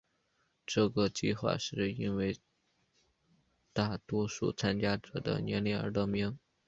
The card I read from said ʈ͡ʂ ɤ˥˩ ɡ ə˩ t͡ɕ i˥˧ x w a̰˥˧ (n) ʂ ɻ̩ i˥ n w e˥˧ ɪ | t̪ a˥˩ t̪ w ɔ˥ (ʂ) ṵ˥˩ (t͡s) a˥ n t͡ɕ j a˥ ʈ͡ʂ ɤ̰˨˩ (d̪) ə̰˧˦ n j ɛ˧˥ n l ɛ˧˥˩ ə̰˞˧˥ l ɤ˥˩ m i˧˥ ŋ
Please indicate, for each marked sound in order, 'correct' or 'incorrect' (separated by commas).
incorrect, correct, incorrect, correct